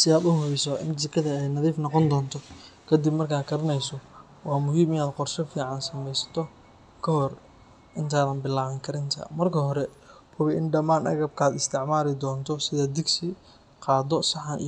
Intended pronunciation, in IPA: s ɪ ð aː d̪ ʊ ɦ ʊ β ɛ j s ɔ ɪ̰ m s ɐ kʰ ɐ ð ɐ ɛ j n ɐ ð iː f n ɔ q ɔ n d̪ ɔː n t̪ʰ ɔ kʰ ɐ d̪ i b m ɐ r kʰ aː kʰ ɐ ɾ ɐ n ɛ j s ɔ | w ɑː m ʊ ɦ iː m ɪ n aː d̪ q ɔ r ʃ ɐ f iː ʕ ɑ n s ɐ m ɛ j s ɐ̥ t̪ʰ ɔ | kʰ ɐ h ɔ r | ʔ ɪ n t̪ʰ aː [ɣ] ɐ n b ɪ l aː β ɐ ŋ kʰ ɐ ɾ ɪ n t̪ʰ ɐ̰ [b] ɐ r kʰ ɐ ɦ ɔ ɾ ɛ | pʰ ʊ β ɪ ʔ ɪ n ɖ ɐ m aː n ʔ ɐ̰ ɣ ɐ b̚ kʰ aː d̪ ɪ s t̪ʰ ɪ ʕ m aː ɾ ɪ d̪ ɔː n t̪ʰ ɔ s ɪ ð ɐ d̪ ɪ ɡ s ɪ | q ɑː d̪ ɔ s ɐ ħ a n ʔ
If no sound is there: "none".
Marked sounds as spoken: ð, m

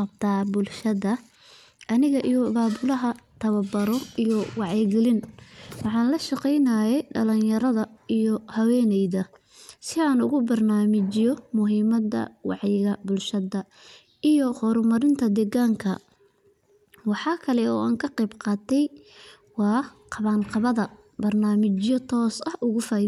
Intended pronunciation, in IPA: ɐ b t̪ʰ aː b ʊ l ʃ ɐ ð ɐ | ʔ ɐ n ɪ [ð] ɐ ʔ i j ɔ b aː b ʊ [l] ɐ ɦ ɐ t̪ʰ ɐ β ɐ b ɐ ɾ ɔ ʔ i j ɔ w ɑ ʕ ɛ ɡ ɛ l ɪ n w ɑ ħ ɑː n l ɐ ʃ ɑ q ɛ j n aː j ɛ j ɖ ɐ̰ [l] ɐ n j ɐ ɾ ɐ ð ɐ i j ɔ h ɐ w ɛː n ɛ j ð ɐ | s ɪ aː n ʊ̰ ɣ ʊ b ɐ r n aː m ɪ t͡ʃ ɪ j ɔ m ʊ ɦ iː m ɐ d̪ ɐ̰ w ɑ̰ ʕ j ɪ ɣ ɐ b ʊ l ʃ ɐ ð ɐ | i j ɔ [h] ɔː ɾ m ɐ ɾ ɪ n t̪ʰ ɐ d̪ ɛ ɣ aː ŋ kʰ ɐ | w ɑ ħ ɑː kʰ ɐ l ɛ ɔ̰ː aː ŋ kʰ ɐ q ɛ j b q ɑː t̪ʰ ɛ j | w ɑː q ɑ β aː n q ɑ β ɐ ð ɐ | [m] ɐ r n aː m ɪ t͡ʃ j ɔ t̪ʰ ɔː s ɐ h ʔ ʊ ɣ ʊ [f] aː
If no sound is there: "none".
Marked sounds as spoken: ɣ, l, l, h, b, f

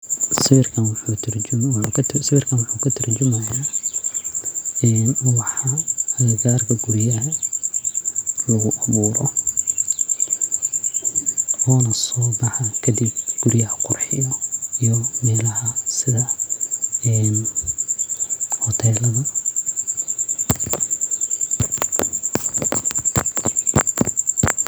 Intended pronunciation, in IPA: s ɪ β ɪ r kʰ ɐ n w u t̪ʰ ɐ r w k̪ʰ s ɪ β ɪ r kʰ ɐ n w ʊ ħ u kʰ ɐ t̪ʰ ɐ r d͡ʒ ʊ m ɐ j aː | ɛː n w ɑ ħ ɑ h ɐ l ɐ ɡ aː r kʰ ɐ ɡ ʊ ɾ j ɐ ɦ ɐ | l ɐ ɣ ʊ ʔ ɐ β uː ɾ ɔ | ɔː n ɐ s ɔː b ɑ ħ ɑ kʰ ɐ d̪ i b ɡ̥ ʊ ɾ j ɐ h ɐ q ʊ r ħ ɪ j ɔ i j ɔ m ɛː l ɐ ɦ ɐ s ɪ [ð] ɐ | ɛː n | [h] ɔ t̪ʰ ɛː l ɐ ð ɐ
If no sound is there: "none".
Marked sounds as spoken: ð, h

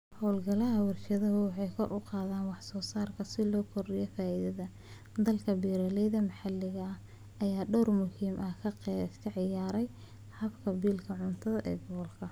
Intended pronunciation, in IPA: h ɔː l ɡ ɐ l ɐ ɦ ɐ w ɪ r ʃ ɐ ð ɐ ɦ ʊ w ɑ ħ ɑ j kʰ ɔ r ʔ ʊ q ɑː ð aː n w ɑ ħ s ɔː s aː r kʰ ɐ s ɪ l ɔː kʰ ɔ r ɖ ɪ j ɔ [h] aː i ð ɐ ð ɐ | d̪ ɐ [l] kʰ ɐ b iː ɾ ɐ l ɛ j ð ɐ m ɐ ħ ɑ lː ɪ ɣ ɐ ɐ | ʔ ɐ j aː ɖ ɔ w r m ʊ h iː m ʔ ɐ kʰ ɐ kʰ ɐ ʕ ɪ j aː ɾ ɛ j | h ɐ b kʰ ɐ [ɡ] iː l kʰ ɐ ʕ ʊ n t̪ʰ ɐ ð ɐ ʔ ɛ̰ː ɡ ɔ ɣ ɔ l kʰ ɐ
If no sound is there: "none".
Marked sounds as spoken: f, l, b

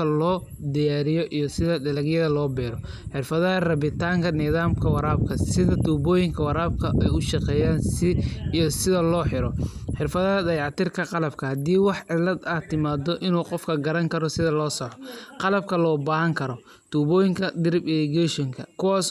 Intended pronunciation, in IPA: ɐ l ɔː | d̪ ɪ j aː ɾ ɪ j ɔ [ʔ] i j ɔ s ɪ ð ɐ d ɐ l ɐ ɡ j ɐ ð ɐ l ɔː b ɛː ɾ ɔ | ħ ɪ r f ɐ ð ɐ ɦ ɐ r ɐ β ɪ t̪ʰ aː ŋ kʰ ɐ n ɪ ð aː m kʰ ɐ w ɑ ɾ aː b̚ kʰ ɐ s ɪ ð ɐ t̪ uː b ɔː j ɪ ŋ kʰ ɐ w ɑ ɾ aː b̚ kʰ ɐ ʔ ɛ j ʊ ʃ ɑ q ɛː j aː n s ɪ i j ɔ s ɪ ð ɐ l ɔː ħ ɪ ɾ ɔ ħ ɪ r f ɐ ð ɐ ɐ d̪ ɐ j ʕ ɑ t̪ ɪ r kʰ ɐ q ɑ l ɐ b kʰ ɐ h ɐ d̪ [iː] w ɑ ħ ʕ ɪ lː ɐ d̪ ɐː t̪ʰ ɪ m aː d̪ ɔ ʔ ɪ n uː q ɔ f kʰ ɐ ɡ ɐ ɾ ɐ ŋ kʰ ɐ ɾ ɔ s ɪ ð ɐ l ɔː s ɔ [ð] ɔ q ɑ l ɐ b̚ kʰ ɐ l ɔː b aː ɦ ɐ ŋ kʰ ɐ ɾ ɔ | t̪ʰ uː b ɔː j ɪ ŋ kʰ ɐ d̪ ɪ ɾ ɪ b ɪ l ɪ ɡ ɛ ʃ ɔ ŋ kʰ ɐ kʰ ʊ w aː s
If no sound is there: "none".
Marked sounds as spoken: ʔ, iː, ʕ

